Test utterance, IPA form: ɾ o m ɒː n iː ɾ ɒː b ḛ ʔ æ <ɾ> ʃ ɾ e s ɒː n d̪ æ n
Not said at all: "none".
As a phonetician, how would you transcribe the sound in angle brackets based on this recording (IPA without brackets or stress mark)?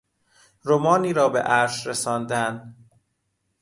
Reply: ɾ